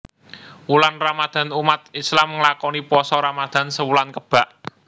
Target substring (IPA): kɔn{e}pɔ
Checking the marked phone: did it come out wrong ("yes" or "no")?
yes